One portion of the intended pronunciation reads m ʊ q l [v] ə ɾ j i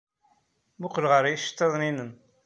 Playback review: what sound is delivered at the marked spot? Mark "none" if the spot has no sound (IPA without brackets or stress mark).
ʁ